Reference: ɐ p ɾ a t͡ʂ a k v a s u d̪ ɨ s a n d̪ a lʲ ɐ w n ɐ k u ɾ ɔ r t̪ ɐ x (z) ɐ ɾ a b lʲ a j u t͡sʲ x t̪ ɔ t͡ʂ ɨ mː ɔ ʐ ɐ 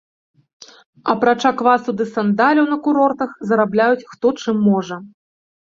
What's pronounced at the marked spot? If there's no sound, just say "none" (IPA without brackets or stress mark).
z